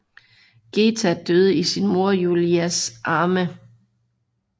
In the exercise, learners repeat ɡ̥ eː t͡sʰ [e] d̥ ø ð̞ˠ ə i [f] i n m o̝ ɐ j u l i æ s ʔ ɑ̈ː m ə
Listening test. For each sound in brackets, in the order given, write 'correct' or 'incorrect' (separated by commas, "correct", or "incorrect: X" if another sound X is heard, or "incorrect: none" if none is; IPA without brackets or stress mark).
incorrect: æ, incorrect: s